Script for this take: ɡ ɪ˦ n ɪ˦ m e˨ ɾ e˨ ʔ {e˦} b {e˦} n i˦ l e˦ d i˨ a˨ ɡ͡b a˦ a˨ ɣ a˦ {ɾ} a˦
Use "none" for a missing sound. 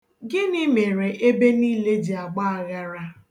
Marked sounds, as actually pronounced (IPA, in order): e˦, e˦, ɾ

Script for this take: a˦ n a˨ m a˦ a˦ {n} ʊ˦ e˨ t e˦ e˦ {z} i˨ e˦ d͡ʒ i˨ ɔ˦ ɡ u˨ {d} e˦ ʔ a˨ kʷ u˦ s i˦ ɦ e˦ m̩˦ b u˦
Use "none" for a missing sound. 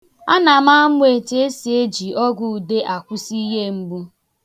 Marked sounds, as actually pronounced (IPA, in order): m, s, d

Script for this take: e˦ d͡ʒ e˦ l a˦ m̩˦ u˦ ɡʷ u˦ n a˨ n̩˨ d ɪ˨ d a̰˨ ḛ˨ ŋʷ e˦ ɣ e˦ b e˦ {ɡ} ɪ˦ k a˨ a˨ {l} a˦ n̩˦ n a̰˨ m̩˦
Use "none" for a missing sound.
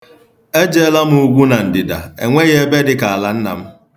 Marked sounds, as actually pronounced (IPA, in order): d, l

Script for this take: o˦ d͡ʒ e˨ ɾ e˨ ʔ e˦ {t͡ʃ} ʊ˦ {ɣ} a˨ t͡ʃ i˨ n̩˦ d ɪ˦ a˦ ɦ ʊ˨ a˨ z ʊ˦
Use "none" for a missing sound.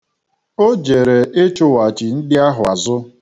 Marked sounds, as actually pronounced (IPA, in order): t͡ʃ, w

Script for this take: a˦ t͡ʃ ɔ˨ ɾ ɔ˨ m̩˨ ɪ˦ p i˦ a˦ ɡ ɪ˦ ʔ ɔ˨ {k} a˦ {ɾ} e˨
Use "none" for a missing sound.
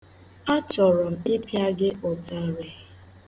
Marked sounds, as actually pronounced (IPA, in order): t, ɾ

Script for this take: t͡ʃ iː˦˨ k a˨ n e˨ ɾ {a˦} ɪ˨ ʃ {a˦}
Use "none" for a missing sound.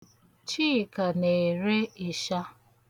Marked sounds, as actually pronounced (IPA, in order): e˦, a˦

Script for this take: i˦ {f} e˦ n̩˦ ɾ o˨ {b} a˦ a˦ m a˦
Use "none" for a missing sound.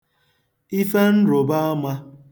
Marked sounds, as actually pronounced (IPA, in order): f, b

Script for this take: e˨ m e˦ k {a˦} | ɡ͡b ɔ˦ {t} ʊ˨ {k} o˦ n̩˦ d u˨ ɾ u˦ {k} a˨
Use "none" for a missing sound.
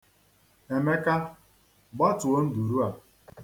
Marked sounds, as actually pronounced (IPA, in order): a˦, t, none, none

